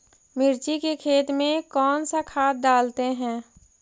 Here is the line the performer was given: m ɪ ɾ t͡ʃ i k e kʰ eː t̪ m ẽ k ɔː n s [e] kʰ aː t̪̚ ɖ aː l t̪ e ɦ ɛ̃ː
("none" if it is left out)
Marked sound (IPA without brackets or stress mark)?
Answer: a